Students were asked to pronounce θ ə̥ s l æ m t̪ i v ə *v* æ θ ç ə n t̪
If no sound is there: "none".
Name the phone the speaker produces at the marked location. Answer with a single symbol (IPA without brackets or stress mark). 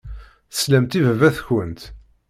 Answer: v